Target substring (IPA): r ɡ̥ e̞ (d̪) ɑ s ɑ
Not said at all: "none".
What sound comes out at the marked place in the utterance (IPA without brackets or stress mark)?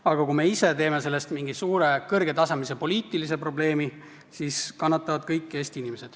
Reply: t̪